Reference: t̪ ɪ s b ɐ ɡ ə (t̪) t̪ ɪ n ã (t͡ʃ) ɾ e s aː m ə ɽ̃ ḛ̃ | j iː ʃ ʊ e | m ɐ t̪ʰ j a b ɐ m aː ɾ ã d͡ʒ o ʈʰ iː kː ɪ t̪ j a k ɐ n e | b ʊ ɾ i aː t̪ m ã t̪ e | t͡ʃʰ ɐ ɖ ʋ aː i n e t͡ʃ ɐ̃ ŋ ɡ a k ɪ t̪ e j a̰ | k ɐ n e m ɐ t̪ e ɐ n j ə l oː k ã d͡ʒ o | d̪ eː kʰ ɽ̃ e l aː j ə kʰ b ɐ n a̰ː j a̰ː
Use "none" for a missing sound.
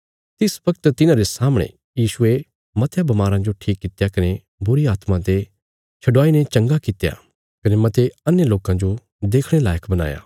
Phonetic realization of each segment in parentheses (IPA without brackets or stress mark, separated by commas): t̪, none